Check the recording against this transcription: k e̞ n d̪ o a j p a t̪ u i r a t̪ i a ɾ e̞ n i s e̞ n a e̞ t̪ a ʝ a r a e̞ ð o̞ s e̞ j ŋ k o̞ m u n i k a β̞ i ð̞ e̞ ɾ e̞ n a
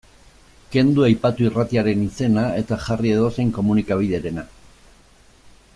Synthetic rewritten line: k e̞ n d̪ u a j p a t̪ u i r a t̪ i a ɾ e̞ n i s e̞ n a e̞ t̪ a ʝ a r i e̞ ð o̞ s e̞ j ŋ k o̞ m u n i k a β̞ i ð̞ e̞ ɾ e̞ n a